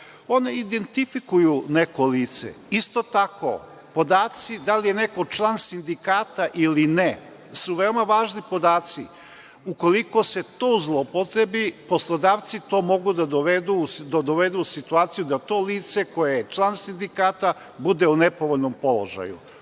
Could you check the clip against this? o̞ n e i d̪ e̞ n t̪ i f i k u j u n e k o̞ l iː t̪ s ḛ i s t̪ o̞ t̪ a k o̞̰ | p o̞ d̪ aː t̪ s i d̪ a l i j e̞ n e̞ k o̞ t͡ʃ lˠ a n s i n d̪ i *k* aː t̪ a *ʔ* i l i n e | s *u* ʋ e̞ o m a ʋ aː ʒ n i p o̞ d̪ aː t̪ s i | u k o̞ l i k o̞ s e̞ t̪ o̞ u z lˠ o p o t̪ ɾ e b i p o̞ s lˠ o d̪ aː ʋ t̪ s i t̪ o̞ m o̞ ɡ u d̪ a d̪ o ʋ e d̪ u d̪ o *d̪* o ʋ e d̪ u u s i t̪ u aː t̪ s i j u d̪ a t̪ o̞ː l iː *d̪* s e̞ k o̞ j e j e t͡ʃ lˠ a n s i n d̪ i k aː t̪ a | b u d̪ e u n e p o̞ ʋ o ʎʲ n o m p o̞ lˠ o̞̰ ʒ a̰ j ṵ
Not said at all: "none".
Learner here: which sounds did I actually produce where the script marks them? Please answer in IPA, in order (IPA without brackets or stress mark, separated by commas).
k, ʔ, u, d̪, t̪